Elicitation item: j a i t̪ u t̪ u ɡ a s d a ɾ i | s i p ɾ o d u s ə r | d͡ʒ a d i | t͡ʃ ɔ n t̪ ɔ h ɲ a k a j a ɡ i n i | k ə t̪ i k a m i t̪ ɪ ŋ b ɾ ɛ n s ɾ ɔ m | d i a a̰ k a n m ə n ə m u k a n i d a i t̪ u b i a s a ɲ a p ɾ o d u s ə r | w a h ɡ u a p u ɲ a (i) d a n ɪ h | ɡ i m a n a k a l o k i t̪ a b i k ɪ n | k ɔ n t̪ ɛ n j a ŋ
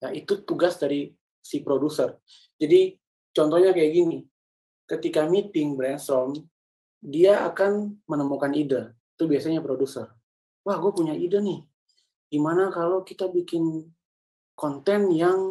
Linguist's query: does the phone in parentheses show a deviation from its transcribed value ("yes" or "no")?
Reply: no